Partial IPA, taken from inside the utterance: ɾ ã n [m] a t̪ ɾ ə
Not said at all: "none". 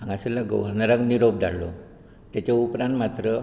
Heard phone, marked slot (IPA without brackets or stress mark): m